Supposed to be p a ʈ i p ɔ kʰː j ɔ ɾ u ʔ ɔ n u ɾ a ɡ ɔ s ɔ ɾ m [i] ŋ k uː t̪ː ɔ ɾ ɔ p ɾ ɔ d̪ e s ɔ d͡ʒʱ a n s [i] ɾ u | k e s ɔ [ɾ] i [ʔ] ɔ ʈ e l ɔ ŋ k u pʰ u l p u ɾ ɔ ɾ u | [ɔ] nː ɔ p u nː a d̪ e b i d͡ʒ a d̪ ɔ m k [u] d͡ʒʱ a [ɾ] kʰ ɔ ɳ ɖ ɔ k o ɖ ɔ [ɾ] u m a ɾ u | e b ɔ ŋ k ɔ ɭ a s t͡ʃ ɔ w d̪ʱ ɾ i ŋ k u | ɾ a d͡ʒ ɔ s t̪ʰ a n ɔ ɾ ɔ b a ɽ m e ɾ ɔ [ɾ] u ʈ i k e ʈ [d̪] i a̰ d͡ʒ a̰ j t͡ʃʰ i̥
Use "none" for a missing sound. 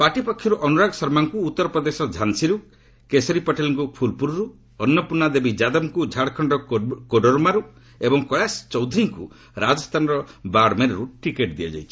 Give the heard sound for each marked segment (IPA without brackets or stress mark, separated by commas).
a, i, ɾ, p, ɔ, u, ɽ, ɾ, ɾ, d̪